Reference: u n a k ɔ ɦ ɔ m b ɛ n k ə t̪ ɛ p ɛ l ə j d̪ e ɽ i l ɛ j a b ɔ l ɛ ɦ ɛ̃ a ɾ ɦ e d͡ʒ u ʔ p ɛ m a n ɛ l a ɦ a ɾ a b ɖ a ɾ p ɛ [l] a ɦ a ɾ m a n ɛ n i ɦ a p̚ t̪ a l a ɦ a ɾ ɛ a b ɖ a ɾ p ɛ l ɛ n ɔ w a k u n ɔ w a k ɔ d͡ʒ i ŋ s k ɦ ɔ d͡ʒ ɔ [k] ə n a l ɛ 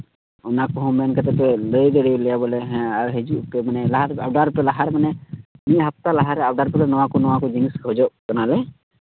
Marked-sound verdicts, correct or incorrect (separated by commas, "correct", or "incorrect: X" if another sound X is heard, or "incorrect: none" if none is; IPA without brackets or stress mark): correct, correct